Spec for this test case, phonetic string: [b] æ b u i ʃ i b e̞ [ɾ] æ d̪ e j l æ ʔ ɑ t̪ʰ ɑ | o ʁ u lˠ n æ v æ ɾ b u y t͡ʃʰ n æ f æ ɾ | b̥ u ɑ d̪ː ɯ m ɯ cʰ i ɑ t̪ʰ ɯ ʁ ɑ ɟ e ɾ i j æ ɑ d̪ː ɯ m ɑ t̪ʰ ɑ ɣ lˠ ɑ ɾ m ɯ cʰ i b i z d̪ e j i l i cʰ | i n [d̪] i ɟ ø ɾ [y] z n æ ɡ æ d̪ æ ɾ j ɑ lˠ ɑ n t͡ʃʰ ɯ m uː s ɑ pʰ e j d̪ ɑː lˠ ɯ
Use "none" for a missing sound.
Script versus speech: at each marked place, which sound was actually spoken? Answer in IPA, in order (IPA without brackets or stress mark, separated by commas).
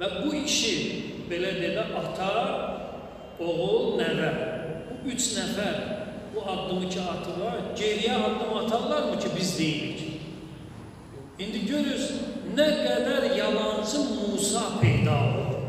v, l, d̪, y